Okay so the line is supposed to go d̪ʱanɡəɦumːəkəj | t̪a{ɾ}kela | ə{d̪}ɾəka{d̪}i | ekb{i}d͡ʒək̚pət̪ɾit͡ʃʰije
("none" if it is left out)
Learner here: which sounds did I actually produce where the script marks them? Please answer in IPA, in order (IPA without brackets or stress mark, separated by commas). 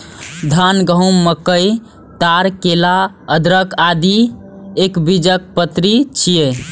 ɾ, d̪, d̪, i